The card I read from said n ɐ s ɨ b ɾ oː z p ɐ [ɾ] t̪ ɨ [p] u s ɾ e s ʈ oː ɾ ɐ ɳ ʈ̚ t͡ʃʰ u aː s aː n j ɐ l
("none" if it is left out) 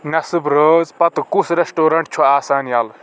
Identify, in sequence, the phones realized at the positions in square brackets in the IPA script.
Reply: none, k

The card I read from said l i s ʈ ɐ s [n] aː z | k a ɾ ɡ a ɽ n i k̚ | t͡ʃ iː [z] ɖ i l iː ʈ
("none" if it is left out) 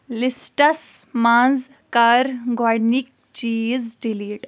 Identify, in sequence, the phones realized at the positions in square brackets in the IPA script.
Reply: m, z

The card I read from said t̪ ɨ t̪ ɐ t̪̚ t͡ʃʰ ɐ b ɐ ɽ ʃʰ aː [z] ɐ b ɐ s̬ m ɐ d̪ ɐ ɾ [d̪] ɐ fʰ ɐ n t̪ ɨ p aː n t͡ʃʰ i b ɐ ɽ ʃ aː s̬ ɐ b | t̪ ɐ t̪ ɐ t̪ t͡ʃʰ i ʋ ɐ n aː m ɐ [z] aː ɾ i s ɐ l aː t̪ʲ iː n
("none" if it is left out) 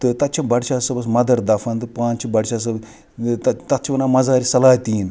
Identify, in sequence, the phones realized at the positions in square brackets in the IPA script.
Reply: s, d̪, z

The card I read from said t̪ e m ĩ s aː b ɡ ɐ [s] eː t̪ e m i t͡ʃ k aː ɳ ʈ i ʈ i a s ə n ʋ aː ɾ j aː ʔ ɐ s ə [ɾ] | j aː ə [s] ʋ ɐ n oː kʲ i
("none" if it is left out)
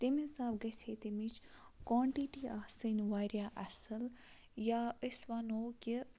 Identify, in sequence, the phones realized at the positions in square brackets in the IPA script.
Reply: s, l, s

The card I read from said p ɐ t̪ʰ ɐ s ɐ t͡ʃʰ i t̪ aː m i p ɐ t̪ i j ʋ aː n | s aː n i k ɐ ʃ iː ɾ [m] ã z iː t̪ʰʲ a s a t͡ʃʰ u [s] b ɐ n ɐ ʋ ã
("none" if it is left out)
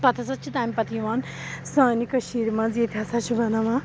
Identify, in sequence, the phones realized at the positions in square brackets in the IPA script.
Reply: m, none

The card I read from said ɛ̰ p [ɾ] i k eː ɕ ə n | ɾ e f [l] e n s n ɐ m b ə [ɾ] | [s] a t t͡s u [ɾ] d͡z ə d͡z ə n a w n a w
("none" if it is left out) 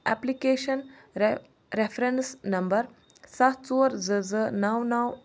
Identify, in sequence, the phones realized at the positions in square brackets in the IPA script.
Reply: l, ɾ, ɾ, s, ɾ

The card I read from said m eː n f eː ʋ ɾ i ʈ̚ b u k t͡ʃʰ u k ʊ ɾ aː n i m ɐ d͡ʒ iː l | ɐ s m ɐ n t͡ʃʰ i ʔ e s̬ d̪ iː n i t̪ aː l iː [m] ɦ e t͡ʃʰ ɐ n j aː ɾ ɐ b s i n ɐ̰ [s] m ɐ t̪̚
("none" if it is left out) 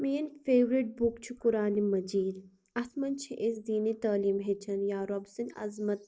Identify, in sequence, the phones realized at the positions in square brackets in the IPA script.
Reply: m, z

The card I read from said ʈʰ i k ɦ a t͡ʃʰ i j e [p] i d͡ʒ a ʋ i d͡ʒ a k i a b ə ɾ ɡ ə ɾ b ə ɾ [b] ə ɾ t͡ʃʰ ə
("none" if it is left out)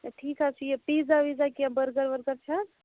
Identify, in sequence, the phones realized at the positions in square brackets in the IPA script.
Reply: p, ɡ

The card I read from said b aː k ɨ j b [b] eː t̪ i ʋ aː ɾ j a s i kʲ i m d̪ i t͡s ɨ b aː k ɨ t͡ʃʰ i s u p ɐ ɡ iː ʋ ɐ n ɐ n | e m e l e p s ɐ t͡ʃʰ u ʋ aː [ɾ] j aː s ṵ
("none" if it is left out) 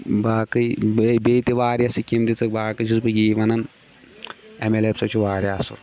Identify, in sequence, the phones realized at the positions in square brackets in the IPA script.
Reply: b, ɾ

